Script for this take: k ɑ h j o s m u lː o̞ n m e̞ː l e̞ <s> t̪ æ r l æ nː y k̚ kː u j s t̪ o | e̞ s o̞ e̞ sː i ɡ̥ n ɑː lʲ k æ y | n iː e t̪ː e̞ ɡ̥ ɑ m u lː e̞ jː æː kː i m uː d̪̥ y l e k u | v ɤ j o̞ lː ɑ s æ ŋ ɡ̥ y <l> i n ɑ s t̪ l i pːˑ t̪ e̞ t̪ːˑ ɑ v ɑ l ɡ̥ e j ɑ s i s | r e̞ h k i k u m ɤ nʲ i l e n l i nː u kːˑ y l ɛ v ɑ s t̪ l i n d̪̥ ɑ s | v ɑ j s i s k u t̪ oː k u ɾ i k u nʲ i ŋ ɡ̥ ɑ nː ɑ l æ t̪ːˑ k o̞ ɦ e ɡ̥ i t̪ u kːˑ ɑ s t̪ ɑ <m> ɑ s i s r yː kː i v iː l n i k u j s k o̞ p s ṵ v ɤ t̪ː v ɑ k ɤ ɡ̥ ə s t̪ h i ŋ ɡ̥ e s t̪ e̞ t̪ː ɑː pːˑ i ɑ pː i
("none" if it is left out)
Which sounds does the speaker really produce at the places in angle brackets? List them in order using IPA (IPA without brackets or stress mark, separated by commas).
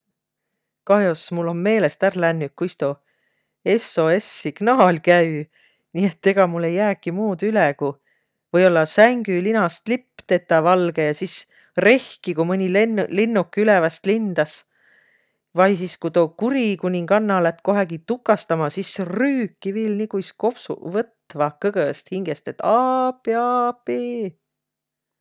s, l, m